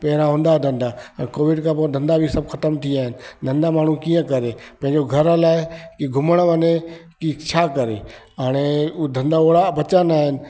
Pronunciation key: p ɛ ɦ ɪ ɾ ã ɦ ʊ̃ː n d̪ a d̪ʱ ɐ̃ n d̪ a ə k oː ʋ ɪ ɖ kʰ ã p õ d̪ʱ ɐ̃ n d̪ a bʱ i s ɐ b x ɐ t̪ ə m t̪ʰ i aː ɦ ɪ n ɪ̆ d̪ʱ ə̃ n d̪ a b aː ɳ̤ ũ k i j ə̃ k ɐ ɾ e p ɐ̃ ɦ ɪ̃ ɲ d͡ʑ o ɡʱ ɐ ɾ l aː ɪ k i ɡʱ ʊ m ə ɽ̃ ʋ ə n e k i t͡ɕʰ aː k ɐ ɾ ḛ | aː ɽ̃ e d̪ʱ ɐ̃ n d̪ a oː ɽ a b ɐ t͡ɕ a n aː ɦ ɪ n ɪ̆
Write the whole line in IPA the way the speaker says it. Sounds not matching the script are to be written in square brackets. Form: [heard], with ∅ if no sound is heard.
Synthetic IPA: p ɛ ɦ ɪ ɾ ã ɦ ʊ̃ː n d̪ a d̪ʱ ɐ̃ n d̪ a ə k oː ʋ ɪ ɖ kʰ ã p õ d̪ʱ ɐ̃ n d̪ a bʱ i s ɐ b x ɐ t̪ ə m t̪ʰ i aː ɦ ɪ n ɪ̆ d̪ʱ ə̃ n d̪ a [m] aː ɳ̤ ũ k i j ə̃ k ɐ ɾ e p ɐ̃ ɦ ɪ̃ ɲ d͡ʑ o ɡʱ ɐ ɾ l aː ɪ k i ɡʱ ʊ m ə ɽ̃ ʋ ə n e k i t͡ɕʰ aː k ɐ ɾ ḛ | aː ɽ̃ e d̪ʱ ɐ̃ n d̪ a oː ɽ a b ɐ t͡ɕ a n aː ɦ ɪ n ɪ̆

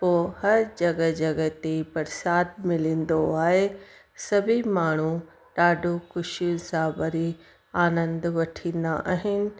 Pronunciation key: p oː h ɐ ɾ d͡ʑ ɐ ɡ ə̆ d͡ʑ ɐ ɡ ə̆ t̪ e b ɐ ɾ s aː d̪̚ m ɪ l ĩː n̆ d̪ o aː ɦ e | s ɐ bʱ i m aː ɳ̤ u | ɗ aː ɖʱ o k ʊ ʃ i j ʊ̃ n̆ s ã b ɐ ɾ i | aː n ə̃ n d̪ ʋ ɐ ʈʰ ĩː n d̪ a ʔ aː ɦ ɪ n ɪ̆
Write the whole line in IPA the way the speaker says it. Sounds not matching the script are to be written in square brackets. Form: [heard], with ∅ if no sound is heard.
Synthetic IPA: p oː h ɐ ɾ d͡ʑ ɐ ɡ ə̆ d͡ʑ ɐ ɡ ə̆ t̪ e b ɐ ɾ s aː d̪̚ m ɪ l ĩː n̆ d̪ o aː ɦ e | s ɐ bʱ i m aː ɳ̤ u | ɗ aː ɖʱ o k ʊ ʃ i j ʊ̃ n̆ s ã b ɐ ɾ i | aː n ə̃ n d̪ ʋ ɐ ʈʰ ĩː n d̪ a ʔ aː ɦ ɪ n ɪ̆

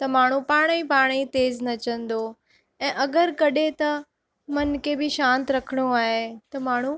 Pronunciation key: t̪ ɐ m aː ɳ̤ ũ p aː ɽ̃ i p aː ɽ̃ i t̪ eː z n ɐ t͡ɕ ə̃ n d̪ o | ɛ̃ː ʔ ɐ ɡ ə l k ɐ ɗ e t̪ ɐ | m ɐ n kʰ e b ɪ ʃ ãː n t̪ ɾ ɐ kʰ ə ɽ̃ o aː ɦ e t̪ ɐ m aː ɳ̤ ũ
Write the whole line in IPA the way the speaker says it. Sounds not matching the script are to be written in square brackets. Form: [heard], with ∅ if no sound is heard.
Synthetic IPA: t̪ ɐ m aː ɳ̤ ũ p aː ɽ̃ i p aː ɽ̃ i t̪ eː z n ɐ t͡ɕ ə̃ n d̪ o | ɛ̃ː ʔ ɐ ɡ ə [ɾ] k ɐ ɗ e t̪ ɐ | m ɐ n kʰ e b ɪ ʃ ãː n t̪ ɾ ɐ kʰ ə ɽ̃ o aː ɦ e t̪ ɐ m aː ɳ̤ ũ

